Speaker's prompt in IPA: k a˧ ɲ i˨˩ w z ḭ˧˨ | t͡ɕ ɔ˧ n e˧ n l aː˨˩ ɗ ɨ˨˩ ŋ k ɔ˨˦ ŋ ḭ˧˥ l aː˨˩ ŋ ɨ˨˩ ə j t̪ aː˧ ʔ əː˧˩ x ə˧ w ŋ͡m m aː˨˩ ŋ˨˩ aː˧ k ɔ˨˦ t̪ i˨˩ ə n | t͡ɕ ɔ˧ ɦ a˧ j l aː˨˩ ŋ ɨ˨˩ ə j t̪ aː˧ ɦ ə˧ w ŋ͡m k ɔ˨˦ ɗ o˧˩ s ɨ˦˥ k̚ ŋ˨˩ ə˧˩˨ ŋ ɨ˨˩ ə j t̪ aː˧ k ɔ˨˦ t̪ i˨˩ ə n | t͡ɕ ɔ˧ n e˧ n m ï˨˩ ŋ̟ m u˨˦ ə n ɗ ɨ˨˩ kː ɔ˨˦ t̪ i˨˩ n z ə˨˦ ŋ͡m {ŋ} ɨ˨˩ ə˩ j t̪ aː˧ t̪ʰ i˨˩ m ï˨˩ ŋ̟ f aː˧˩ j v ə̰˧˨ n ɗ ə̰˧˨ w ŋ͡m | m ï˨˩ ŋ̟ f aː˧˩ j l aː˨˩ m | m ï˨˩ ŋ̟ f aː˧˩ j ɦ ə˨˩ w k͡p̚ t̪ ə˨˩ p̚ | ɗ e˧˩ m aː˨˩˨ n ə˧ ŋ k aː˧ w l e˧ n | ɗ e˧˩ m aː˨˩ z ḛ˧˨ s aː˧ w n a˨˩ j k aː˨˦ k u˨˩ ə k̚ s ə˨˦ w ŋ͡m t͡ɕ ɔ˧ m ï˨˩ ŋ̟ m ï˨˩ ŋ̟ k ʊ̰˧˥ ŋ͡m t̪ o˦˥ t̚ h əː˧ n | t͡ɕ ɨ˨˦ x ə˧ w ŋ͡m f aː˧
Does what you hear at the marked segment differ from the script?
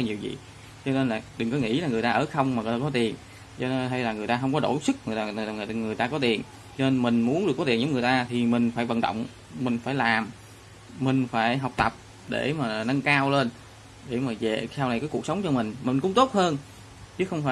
no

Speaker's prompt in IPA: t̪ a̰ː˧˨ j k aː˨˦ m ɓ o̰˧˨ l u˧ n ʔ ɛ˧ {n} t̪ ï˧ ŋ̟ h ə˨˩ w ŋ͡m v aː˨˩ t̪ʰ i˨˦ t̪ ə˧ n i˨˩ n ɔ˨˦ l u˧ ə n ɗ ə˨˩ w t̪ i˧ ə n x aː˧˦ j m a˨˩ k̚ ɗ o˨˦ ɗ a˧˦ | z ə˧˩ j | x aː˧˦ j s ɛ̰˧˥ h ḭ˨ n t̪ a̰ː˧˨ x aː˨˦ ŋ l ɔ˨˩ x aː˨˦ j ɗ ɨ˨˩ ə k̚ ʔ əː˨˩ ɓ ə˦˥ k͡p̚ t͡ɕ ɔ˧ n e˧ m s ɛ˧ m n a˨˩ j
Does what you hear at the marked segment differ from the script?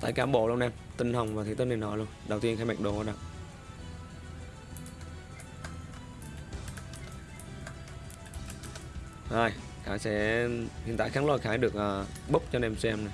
yes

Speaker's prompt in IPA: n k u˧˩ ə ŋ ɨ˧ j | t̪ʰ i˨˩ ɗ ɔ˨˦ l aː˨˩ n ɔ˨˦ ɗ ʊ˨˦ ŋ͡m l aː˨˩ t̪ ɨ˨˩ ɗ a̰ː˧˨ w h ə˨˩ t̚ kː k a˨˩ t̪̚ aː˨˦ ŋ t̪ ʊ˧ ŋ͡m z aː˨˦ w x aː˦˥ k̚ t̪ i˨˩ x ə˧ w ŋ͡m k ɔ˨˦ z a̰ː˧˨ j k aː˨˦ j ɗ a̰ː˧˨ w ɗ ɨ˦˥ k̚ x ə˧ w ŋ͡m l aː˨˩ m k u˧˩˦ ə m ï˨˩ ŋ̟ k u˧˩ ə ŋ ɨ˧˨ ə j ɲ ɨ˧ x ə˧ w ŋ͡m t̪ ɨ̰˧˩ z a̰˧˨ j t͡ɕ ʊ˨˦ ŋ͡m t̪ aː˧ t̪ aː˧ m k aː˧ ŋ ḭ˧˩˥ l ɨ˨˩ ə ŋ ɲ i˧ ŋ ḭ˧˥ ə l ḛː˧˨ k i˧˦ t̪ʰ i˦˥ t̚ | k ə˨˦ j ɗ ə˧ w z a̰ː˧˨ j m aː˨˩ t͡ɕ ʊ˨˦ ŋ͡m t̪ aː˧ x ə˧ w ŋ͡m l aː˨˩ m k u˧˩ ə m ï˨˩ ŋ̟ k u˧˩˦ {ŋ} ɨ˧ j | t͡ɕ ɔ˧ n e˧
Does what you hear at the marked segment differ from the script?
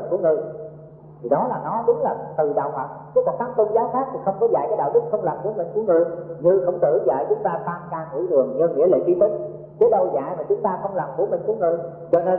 no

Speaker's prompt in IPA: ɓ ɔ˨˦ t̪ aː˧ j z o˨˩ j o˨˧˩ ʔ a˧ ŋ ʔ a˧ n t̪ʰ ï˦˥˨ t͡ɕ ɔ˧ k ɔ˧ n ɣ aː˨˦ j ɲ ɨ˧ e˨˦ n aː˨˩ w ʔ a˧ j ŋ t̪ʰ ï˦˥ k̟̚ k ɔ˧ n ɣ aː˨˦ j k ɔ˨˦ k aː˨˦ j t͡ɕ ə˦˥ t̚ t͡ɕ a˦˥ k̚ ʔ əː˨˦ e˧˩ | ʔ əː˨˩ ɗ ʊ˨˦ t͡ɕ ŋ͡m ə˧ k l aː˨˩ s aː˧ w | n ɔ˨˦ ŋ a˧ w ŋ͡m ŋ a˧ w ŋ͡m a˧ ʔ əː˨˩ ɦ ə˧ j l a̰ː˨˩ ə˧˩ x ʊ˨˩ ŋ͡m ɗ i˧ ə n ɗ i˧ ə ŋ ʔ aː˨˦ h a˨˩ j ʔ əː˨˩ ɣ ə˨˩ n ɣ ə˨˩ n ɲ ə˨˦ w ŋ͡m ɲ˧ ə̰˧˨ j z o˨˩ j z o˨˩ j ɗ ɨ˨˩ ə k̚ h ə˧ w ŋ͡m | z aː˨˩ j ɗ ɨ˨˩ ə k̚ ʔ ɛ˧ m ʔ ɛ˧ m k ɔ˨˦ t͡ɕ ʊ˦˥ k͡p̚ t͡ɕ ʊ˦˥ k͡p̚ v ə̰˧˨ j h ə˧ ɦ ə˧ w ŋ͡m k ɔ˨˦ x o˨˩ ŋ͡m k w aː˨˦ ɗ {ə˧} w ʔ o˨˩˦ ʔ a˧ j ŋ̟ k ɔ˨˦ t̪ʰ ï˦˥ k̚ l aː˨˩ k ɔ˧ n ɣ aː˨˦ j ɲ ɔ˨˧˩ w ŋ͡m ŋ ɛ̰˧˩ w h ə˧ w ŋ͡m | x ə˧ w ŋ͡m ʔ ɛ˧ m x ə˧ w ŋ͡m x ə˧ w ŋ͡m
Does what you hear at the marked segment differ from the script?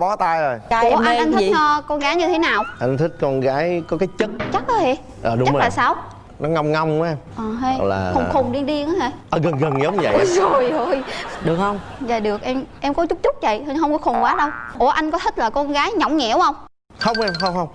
no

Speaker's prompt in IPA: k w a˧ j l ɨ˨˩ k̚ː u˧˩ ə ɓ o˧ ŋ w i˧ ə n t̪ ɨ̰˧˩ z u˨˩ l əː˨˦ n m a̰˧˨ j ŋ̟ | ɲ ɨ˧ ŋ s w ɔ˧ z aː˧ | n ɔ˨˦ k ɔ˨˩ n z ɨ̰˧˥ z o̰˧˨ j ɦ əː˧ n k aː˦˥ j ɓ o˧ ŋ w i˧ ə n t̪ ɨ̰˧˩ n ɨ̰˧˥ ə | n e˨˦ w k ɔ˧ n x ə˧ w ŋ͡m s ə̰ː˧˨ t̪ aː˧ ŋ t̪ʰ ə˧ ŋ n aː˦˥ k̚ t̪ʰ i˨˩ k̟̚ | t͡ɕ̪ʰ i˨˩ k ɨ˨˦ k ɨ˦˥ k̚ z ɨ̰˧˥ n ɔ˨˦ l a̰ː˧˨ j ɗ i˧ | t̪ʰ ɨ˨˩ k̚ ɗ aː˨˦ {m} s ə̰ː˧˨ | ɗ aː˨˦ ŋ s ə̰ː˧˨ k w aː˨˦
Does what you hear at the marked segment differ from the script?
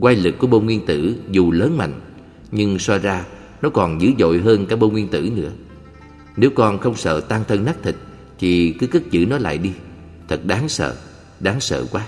yes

